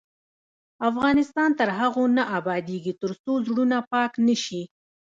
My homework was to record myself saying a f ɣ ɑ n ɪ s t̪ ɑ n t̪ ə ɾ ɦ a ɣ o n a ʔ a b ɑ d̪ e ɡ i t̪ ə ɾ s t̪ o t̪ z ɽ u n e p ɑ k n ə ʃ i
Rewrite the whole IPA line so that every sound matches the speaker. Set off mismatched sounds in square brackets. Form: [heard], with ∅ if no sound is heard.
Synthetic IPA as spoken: a f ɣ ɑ n ɪ s t̪ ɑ n t̪ ə ɾ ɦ a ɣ o n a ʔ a b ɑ d̪ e ɡ i t̪ ə ɾ s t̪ o [∅] z ɽ u n [a] p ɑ k n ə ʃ i